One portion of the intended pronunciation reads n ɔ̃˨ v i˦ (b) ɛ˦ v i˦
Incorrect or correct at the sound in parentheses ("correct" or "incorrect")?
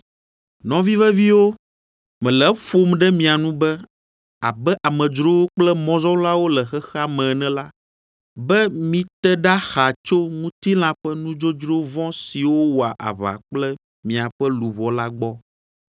incorrect